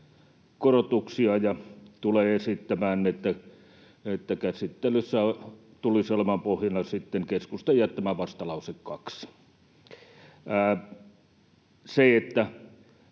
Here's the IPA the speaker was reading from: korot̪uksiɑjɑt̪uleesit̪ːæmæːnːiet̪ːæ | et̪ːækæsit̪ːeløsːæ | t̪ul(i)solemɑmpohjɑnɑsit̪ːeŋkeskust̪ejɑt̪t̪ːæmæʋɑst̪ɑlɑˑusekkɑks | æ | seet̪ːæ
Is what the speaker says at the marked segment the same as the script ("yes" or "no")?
yes